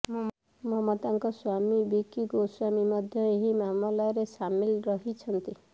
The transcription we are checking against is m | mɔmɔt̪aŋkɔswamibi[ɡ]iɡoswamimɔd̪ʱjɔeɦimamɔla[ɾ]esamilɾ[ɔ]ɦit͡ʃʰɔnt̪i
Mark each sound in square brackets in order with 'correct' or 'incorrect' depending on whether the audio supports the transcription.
incorrect: k, correct, correct

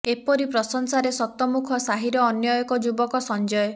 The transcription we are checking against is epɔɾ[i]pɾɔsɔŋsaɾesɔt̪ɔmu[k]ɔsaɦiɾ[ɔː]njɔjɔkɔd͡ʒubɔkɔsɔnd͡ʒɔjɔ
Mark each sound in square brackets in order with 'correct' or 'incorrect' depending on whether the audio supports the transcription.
correct, incorrect: kʰ, correct

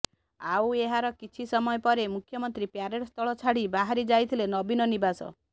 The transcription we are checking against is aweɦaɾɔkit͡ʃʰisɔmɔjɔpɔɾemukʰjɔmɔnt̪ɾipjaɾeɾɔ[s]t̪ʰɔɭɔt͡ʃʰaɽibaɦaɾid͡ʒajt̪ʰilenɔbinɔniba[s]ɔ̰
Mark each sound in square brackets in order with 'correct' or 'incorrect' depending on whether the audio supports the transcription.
correct, correct

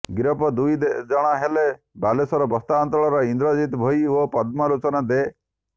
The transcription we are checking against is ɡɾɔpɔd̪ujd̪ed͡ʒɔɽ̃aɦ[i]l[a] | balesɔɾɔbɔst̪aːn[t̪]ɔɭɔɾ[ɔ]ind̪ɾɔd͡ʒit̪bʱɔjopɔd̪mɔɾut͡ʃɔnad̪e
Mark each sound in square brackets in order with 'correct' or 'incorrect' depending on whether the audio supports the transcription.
incorrect: e, incorrect: e, correct, correct

